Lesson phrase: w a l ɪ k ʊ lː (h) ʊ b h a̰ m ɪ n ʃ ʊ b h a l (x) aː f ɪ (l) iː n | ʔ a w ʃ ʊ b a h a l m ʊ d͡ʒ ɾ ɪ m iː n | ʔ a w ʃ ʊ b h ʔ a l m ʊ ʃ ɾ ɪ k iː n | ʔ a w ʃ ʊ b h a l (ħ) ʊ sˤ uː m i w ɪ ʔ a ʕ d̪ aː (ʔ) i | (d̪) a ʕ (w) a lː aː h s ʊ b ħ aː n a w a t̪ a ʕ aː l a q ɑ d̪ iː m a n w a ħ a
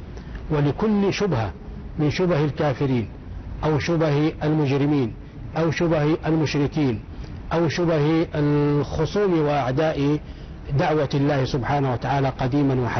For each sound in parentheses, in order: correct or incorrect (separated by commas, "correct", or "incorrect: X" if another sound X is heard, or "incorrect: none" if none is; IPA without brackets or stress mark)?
incorrect: ʃ, incorrect: k, incorrect: ɾ, incorrect: x, correct, correct, correct